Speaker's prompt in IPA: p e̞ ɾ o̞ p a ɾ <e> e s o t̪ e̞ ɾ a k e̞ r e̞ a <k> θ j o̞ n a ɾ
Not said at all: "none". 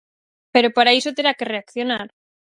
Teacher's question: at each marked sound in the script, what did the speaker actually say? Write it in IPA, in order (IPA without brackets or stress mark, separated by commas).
a, k